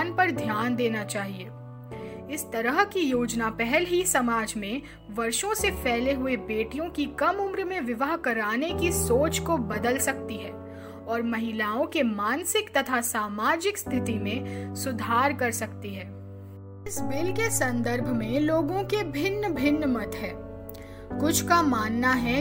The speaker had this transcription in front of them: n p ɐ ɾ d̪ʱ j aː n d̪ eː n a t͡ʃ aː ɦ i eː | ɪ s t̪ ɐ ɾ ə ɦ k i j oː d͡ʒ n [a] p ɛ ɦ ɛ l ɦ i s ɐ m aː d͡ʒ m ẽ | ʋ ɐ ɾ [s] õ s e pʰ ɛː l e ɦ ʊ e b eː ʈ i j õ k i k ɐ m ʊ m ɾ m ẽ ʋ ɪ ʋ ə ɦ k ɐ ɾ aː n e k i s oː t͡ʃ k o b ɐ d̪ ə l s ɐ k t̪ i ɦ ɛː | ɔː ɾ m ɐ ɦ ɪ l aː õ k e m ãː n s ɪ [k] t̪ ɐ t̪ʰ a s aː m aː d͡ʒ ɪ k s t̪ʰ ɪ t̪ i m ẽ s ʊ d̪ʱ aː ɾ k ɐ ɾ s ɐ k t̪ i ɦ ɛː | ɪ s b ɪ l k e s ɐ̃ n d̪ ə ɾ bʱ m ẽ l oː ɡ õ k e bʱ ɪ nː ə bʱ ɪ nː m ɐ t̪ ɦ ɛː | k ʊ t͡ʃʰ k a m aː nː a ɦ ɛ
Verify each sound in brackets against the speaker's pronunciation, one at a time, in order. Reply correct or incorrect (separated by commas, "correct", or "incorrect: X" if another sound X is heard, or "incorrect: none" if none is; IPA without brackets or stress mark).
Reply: correct, incorrect: ʃ, correct